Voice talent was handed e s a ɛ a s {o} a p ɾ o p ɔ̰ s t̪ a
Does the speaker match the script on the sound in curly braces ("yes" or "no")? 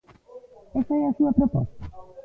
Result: no